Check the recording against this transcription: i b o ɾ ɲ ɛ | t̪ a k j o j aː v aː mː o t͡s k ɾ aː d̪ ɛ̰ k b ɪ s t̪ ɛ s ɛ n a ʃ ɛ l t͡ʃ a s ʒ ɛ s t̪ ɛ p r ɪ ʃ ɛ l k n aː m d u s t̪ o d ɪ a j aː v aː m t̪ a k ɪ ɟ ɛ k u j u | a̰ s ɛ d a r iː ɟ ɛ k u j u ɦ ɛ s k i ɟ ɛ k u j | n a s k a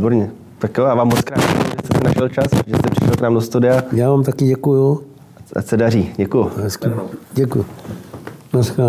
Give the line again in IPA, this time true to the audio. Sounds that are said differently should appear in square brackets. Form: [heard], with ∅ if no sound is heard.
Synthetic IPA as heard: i b o ɾ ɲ ɛ | t̪ a k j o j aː v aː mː o t͡s k ɾ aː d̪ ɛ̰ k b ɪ s t̪ ɛ s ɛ n a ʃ ɛ l t͡ʃ a s ʒ ɛ s t̪ ɛ p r ɪ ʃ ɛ l k n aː m d [o] s t̪ [u] d ɪ a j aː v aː m t̪ a k ɪ ɟ ɛ k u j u | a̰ s ɛ d a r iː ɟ ɛ k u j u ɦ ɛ s k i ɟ ɛ k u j | n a s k a